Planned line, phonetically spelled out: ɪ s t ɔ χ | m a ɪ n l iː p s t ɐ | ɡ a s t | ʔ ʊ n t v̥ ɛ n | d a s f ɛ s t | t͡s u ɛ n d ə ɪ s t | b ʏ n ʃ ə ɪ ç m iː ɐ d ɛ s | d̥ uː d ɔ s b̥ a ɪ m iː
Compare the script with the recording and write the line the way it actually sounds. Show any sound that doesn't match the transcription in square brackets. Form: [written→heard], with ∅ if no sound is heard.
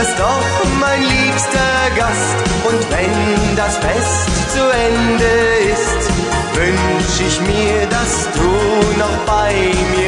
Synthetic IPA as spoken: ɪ s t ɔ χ | m a ɪ n l iː p s t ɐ | ɡ a s t | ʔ ʊ n t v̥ ɛ n | d a s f ɛ s t | t͡s u ɛ n d ə ɪ s t | [b→v] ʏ n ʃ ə ɪ ç m iː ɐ d [ɛ→a] s | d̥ uː [d→n] ɔ [s→χ] b̥ a ɪ m iː